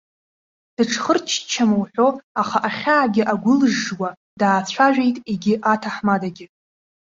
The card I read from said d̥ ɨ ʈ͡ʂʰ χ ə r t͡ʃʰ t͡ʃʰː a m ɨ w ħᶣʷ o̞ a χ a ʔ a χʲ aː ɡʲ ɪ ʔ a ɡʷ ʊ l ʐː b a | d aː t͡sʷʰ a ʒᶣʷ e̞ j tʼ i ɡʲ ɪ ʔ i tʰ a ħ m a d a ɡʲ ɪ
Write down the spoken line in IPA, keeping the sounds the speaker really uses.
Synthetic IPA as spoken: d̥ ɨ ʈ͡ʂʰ χ ə r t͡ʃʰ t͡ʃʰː a m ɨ w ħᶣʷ o̞ a χ a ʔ a χʲ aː ɡʲ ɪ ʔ a ɡʷ ʊ l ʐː w a | d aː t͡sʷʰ a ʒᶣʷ e̞ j tʼ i ɡʲ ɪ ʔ a tʰ a ħ m a d a ɡʲ ɪ